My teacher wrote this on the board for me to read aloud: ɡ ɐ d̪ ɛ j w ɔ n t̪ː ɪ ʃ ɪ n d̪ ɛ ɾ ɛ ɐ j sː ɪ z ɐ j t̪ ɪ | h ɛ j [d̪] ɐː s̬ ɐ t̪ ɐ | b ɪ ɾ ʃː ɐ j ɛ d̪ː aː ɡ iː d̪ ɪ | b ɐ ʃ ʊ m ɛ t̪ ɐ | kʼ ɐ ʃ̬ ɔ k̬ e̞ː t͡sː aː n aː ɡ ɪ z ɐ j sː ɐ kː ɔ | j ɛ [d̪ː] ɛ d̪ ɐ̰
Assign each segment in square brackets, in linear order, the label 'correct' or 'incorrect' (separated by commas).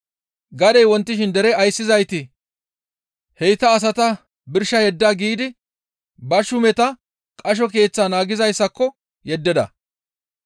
incorrect, correct